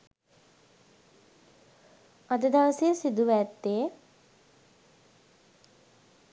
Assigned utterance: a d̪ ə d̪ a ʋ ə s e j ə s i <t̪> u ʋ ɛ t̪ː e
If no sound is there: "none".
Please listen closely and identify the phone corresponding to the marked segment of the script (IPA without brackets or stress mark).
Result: d̪